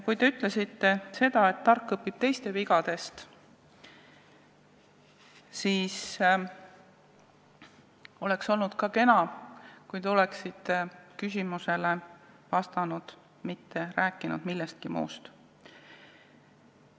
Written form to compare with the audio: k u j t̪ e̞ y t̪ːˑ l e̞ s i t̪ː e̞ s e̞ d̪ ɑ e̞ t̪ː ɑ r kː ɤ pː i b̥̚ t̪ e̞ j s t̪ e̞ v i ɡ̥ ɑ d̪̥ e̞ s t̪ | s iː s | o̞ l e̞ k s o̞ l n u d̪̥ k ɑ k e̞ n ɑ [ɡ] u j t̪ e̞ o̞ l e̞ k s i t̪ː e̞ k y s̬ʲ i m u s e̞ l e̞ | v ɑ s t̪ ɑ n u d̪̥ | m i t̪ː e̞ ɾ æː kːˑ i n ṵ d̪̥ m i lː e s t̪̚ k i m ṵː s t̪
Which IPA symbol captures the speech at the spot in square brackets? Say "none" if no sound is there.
k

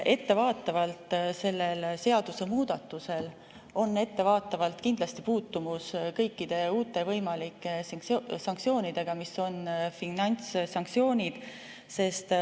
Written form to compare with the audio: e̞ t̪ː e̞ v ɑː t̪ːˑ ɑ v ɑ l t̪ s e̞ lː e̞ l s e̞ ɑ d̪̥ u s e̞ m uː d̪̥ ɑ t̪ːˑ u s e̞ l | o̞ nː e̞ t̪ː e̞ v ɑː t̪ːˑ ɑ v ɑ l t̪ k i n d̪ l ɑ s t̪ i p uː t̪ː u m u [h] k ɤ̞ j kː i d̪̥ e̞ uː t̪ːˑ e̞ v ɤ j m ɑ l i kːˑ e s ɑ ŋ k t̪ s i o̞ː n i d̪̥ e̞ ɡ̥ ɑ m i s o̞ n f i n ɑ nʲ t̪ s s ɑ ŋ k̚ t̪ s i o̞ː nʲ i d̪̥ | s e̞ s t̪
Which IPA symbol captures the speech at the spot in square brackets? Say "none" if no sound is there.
s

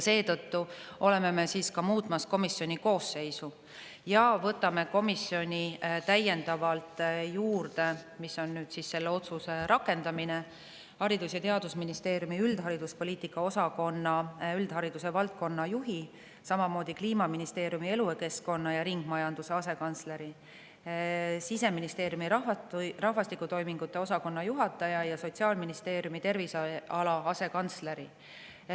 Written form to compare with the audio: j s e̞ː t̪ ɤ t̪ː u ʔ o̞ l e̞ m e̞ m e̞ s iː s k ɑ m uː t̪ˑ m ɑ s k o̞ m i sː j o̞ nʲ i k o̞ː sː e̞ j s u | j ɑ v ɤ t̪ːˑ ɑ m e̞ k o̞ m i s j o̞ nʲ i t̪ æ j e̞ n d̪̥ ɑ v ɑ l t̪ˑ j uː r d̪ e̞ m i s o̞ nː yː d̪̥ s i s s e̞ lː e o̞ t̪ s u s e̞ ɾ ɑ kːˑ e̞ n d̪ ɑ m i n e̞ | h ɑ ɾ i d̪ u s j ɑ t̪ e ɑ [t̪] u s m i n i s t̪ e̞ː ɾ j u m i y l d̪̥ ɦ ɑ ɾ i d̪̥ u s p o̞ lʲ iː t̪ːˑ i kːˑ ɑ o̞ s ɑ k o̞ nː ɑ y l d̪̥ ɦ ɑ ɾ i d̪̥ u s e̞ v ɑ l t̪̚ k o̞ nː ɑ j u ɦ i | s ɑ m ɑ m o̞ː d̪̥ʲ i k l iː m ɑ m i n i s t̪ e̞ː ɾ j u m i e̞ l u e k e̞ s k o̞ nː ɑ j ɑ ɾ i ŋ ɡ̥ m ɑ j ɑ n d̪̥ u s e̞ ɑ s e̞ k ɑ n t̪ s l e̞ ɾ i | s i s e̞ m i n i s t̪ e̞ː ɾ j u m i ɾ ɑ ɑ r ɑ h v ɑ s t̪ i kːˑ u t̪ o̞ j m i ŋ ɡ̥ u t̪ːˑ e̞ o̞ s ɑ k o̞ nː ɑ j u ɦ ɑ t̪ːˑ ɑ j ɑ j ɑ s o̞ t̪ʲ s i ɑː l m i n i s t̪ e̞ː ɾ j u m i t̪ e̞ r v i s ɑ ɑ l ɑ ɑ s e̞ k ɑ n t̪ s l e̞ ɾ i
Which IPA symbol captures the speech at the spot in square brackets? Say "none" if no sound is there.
d̪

